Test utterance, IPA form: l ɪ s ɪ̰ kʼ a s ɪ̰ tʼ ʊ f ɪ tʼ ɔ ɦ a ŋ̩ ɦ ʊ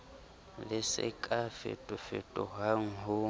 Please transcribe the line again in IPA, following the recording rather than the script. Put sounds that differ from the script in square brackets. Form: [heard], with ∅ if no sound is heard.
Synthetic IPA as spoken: l ɪ s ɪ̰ kʼ a [f] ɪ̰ tʼ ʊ f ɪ tʼ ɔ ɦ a ŋ̩ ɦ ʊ